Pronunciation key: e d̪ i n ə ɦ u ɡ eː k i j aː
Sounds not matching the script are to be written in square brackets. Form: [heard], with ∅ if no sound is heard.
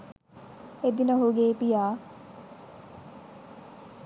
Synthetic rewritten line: e d̪ i n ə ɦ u ɡ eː [p] i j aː